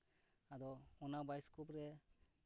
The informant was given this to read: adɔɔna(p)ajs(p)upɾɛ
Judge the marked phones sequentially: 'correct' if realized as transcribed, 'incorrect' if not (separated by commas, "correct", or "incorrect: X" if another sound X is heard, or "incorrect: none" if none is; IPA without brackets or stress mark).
incorrect: b, incorrect: k